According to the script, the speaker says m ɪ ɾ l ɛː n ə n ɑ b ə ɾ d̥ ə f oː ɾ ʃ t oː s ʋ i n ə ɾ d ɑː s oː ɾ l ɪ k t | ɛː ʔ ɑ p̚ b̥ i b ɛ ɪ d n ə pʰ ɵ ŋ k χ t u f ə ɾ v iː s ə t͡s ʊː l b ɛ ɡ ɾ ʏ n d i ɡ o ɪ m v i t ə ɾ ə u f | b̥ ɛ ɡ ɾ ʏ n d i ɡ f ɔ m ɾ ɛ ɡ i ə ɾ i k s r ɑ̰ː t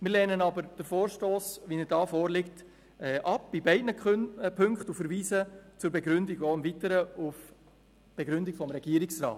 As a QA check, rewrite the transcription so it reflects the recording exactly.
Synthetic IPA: m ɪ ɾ l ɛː n ə n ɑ b ə ɾ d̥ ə f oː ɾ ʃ t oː s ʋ i n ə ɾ d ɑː f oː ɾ l ɪ k t | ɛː ʔ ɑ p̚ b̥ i b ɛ ɪ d n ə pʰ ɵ ŋ k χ t u f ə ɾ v iː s ə t͡s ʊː ɾ b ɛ ɡ ɾ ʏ n d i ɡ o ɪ m v i t ə ɾ ə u f | b̥ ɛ ɡ ɾ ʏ n d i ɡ f ɔ m ɾ ɛ ɡ i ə ɾ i k s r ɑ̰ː t